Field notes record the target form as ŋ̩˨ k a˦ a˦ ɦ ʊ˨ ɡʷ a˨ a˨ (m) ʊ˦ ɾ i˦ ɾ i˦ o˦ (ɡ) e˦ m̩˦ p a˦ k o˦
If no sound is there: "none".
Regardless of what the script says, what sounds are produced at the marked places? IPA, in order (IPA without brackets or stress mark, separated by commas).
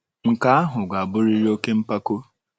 b, k